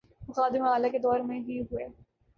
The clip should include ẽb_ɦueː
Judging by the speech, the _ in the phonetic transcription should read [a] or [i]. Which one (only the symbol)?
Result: i